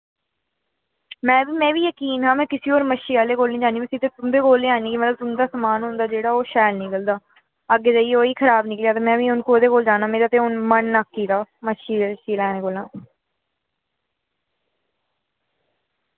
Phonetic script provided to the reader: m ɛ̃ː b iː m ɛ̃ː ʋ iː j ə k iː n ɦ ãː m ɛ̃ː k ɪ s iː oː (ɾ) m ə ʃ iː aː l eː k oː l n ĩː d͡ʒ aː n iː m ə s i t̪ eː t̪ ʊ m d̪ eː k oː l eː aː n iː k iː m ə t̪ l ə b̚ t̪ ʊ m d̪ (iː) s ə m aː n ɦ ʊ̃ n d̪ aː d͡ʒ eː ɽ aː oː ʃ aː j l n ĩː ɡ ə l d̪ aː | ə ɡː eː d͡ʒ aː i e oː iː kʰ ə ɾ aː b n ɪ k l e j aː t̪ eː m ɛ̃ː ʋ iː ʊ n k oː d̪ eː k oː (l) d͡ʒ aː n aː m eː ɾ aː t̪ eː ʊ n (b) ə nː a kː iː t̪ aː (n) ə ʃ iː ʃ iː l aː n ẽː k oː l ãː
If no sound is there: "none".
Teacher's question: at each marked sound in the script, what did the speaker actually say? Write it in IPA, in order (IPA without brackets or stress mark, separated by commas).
ɾ, aː, l, m, m